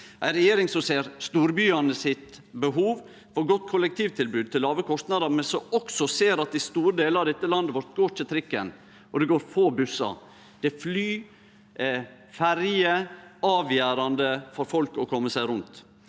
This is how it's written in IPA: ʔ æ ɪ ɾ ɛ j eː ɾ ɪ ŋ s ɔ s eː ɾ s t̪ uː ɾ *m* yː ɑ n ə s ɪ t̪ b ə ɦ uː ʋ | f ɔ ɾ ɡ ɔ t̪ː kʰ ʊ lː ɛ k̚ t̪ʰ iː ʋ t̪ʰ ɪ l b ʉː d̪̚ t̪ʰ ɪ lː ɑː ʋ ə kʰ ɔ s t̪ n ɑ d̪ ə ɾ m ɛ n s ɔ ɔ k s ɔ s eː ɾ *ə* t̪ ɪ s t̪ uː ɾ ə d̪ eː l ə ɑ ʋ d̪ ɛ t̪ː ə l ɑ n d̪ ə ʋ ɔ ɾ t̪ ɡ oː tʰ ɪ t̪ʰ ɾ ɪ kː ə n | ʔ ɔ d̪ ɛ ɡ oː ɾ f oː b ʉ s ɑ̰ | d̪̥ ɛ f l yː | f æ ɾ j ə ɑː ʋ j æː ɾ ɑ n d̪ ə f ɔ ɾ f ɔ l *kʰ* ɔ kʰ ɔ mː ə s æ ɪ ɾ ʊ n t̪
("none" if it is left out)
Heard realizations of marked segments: b, ɑ, k

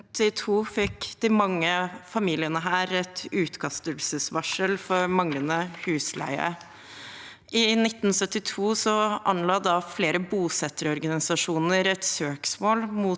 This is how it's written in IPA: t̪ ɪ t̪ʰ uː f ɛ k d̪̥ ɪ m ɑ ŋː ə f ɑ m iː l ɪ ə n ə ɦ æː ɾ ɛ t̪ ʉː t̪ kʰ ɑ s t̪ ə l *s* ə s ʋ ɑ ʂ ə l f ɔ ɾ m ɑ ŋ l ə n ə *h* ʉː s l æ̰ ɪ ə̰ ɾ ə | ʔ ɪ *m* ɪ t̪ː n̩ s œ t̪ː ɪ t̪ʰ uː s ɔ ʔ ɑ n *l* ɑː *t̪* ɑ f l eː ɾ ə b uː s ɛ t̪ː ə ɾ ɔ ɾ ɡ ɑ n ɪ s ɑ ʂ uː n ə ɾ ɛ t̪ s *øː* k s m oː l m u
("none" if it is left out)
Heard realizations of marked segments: s, h, n, l, d̪, øː

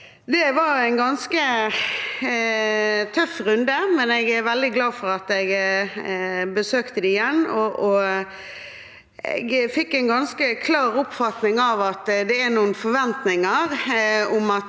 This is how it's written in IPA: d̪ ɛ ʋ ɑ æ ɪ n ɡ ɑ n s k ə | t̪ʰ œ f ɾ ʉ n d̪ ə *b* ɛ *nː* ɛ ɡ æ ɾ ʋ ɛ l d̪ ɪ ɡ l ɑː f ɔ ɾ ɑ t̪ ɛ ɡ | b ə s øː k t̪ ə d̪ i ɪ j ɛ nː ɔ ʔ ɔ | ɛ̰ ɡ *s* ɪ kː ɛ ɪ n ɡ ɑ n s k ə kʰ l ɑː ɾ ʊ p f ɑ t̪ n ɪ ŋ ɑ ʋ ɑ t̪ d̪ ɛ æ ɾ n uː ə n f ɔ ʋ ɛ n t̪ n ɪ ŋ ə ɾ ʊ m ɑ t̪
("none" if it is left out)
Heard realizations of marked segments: m, n, f

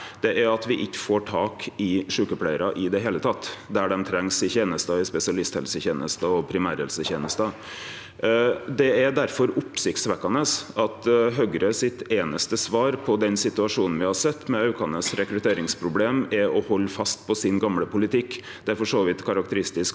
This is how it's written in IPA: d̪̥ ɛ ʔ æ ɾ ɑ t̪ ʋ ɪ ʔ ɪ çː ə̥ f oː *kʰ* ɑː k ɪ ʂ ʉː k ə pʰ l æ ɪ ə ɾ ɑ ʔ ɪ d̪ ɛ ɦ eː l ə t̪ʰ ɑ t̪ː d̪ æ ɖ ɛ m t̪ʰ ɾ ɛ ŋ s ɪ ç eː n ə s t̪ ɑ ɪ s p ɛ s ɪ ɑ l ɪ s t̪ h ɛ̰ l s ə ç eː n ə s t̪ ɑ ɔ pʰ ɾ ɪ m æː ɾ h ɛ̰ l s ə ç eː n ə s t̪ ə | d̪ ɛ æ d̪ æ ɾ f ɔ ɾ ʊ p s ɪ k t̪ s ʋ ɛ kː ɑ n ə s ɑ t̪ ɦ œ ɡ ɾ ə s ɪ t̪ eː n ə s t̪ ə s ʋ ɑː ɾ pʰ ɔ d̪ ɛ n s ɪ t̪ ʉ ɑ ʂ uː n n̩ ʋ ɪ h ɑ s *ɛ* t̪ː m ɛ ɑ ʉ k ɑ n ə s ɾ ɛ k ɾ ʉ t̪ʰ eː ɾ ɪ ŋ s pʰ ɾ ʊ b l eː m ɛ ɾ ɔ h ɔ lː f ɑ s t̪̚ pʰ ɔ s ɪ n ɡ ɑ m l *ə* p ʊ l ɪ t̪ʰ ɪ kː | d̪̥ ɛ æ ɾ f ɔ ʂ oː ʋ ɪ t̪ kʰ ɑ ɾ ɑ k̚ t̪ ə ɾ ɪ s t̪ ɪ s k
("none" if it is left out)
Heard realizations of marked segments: ʈʰ, ɛ, ə

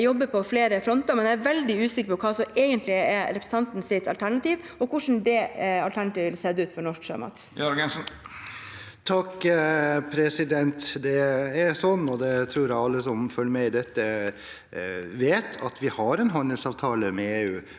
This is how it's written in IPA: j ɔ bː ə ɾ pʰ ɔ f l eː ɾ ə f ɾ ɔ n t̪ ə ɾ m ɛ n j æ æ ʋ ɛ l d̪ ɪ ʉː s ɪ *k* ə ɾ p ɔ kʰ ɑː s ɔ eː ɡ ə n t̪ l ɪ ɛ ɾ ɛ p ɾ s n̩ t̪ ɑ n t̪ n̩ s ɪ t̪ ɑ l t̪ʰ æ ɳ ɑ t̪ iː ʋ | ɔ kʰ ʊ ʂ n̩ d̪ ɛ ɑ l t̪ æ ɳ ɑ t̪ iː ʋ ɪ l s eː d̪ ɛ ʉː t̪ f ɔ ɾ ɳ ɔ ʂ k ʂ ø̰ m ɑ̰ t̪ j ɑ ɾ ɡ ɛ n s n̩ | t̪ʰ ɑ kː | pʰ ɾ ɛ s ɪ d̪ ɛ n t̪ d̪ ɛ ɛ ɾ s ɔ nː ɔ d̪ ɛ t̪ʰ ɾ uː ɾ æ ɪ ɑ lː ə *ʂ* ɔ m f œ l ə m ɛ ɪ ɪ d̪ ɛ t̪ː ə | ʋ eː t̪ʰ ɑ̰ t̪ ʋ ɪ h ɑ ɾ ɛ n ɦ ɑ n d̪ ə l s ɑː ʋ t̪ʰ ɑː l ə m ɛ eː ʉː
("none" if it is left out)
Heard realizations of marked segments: k, s

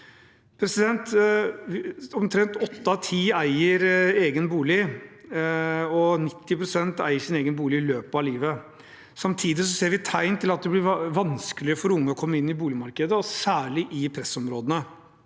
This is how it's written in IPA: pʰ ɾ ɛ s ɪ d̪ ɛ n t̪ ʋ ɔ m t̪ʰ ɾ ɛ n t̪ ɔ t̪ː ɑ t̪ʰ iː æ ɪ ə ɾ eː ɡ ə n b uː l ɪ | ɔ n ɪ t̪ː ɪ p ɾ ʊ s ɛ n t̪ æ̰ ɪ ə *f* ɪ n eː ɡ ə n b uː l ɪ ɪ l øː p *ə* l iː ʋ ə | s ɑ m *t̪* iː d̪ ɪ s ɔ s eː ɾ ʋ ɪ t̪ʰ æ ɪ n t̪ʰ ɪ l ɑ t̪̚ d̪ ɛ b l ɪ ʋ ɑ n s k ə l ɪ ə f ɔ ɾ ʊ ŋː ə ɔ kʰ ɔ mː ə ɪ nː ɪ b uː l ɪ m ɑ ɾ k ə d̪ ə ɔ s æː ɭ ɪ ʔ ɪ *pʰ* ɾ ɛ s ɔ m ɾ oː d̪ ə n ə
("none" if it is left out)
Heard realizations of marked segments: ʂ, ɑ, t̪ʰ, pʰ

